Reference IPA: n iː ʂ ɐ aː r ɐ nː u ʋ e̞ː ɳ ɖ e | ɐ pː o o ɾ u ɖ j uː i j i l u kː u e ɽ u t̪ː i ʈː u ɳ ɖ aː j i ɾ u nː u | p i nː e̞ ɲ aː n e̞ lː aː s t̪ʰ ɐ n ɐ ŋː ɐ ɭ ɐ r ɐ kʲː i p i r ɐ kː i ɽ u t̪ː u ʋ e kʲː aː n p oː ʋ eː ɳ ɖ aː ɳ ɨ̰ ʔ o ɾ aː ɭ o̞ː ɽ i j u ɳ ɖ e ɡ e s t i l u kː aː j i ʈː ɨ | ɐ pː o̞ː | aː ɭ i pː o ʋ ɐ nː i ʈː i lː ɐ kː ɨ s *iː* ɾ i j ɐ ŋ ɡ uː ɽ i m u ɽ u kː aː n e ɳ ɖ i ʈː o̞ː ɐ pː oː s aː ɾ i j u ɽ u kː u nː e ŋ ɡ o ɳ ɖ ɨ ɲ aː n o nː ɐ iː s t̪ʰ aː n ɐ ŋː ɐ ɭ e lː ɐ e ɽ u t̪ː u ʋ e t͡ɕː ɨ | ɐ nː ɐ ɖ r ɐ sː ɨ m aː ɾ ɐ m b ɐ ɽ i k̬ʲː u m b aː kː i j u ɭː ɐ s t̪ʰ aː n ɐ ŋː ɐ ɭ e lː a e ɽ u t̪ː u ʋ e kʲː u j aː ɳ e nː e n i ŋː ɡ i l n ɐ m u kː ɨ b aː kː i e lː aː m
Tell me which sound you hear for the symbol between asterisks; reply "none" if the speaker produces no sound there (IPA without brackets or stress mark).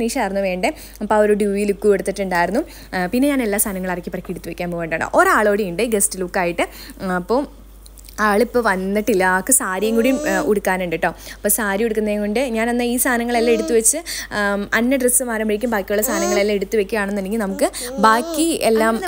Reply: aː